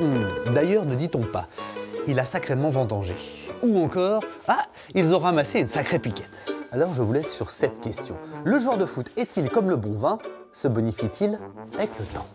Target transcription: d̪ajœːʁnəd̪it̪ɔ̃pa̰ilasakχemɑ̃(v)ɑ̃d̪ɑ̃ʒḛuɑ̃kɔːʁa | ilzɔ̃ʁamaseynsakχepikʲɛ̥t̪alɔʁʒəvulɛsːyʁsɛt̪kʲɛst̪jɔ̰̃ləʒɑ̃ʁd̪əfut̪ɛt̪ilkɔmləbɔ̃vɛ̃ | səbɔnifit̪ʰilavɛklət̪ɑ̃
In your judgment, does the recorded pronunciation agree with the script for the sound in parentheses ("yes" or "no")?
yes